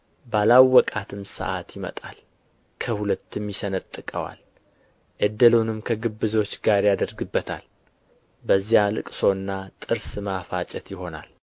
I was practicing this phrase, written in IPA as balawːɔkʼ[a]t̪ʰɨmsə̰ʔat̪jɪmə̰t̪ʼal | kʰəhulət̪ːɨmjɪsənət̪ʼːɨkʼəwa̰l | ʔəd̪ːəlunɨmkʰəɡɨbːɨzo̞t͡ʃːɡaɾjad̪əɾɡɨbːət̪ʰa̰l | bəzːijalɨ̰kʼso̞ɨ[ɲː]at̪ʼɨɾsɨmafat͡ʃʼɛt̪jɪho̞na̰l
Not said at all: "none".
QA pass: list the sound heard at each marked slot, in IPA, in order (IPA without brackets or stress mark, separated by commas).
a, nː